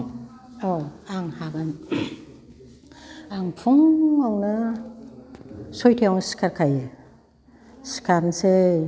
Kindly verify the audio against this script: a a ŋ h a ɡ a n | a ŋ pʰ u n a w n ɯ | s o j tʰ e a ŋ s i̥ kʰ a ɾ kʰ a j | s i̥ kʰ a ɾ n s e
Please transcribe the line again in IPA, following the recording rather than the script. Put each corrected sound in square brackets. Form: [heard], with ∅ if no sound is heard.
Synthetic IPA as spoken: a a ŋ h a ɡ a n | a ŋ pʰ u [ŋ] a w n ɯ | s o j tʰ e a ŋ s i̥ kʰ a ɾ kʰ a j | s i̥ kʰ a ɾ n s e